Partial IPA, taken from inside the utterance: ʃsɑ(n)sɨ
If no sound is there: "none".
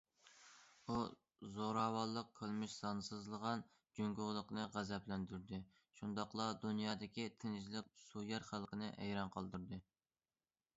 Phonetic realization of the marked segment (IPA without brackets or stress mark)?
n